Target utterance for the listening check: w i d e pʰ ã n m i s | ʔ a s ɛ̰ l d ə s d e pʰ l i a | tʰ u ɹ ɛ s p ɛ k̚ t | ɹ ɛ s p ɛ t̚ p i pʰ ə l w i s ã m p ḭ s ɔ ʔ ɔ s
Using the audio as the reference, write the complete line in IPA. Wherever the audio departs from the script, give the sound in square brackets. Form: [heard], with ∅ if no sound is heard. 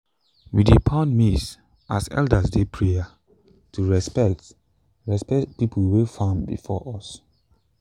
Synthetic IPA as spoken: w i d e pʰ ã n m i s | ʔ a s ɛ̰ l d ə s d e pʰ [ɹ] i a | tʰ u ɹ ɛ s p ɛ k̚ t | ɹ ɛ s p ɛ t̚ p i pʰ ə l w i [f] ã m [b] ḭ [f] ɔ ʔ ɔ s